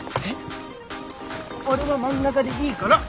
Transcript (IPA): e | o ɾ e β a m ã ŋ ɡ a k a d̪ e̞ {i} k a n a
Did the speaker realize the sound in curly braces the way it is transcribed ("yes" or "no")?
no